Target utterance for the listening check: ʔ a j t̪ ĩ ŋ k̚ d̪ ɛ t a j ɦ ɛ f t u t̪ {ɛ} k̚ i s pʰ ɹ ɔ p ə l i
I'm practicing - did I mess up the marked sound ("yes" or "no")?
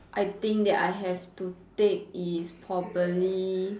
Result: yes